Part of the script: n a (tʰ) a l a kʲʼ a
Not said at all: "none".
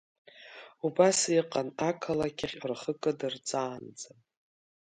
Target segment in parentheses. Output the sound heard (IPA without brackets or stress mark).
kʰ